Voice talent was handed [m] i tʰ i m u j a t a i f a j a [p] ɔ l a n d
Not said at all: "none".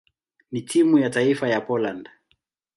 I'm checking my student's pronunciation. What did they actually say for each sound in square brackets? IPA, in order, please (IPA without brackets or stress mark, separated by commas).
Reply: n, p